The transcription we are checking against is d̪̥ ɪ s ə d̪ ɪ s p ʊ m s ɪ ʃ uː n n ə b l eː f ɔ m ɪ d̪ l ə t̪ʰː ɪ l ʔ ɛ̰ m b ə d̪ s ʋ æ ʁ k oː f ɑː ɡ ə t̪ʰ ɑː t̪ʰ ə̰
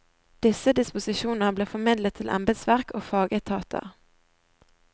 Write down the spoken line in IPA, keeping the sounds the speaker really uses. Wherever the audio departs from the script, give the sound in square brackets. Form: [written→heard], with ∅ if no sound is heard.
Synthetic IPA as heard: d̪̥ ɪ s ə d̪ ɪ s p ʊ [m→∅] s ɪ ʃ uː n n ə b l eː f ɔ m ɪ d̪ l ə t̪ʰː ɪ l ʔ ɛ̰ m b ə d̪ s ʋ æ ʁ k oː f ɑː ɡ ə t̪ʰ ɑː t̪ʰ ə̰